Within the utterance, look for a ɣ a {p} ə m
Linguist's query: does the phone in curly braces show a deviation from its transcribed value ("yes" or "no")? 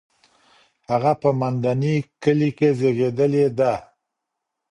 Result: no